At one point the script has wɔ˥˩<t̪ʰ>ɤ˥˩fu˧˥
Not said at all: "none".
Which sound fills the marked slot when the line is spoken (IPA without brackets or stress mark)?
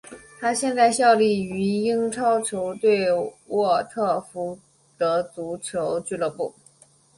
t̪ʰ